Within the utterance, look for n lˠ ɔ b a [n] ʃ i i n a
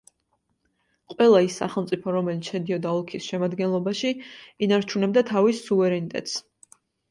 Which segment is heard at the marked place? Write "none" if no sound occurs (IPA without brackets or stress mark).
none